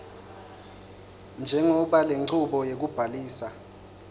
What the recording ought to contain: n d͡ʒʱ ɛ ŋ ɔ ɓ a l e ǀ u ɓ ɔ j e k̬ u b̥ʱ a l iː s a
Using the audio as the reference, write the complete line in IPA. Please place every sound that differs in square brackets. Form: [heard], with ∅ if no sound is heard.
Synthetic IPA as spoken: n d͡ʒʱ ɛ ŋ ɔ ɓ a l e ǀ u ɓ ɔ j e k̬ u b̥ʱ a l iː s a

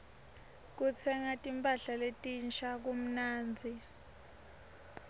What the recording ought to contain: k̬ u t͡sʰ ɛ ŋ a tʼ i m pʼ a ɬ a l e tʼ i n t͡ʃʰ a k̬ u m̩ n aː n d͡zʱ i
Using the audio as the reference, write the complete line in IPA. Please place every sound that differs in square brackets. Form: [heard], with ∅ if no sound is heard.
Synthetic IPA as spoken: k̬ u t͡sʰ ɛ ŋ a tʼ i m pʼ a ɬ a l e tʼ i n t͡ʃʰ a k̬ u m̩ n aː n d͡zʱ i

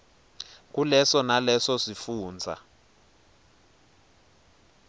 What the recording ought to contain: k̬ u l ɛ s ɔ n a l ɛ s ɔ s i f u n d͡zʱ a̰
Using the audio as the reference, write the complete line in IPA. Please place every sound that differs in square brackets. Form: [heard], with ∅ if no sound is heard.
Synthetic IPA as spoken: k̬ u l ɛ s ɔ n a l ɛ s ɔ s i f [uː] n d͡zʱ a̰

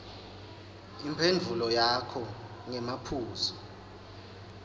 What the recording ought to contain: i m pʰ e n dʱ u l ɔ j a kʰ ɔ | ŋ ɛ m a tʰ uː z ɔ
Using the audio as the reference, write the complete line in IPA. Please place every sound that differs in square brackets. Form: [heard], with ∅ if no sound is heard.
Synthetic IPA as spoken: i m pʰ e n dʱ u l ɔ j a kʰ ɔ | ŋ ɛ m a [pʰ] uː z ɔ

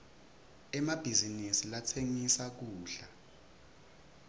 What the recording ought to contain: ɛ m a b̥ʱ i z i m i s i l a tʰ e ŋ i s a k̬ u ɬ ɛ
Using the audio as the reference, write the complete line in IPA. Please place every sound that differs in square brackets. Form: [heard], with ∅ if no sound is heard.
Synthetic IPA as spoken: ɛ m a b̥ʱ i z i [n] i s i l a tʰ e ŋ i s a k̬ [uː] ɬ [a]

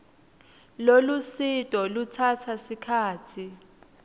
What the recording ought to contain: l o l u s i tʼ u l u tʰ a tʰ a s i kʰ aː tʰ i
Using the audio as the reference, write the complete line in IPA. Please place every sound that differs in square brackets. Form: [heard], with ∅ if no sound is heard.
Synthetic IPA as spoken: l o l u s i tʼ [ɔ] l u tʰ a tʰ a s i kʰ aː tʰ i

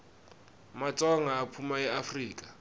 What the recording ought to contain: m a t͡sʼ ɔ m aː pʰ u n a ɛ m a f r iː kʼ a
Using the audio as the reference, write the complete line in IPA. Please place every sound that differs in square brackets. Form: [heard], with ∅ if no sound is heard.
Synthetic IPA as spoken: m a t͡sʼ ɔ [ŋ] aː pʰ u [m] a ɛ [∅] a f r iː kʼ a

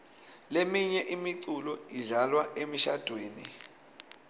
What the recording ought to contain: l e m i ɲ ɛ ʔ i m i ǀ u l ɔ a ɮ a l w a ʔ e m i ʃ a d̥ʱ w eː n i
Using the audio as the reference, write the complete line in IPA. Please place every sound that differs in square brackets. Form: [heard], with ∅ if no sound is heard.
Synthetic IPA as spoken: l e m i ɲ ɛ ʔ i m i ǀ u l ɔ [i] ɮ a l w a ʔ e m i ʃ a d̥ʱ w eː n i

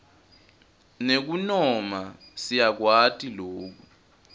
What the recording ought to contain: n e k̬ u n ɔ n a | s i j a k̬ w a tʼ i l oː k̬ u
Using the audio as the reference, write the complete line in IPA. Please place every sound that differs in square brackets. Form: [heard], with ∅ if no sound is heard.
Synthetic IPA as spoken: n e k̬ u n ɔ [m] a | s i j a k̬ w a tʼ i l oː k̬ u

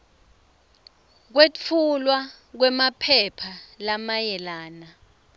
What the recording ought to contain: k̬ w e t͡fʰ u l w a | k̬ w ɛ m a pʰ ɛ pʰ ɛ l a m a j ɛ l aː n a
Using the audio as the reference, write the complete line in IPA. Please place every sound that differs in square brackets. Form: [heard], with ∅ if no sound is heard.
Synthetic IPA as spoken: k̬ w e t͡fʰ u l w a | k̬ w ɛ m a pʰ ɛ pʰ [a] l a m a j ɛ l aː n a

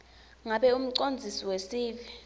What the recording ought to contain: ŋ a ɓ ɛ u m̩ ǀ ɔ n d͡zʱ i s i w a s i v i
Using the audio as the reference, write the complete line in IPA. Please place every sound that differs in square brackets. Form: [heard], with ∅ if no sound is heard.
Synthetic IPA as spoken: ŋ a ɓ ɛ u m̩ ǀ [o] n d͡zʱ i s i w [e] s [iː] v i

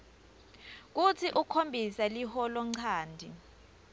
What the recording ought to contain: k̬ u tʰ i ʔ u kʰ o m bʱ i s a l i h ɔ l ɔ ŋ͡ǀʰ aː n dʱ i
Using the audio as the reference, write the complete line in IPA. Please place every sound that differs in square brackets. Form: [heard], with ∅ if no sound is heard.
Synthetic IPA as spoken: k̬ u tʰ i ʔ u kʰ o m bʱ i s a l i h ɔ l ɔ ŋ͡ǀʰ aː n dʱ i

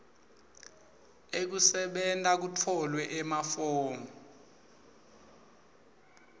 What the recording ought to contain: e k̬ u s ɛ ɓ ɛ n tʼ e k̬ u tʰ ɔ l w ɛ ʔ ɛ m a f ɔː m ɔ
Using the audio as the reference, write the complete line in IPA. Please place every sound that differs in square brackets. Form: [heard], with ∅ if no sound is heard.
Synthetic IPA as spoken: e k̬ u s ɛ ɓ ɛ n tʼ [a] k̬ u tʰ ɔ l w ɛ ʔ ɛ m a f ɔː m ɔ

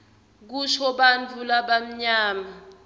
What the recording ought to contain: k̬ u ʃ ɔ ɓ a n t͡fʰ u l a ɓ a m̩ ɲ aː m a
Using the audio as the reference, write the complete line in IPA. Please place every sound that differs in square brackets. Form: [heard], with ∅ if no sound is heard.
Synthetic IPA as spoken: k̬ u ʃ ɔ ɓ a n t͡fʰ u l a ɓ a m̩ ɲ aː m a

